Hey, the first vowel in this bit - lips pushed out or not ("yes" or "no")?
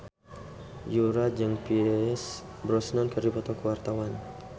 yes